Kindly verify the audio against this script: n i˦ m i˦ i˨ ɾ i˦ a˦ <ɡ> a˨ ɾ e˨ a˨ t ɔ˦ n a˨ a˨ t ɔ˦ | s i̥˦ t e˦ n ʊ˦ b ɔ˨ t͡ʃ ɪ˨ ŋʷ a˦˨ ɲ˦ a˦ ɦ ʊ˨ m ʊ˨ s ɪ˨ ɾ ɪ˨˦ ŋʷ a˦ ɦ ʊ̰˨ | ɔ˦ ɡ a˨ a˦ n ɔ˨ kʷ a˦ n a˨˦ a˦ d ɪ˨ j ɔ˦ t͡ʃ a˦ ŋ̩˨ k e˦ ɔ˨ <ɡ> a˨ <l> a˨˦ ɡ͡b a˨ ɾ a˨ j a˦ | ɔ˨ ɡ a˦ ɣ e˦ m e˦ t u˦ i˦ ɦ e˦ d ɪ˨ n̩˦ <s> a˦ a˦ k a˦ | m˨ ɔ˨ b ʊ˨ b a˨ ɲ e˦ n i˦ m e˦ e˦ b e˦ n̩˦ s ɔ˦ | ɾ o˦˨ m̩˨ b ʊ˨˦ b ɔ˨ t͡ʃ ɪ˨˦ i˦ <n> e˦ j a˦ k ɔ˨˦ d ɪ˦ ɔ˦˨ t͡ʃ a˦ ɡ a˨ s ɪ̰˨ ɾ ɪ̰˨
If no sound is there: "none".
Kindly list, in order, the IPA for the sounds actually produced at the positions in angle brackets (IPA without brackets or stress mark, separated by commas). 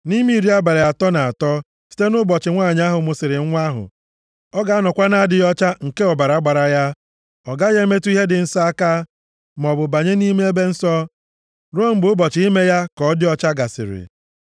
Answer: b, b, ɾ, s, m